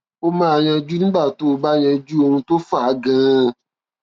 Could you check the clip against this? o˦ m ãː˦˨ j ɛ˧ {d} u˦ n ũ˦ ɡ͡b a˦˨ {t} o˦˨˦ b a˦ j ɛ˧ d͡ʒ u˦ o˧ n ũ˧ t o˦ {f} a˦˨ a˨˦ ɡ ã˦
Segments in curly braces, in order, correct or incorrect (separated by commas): incorrect, correct, correct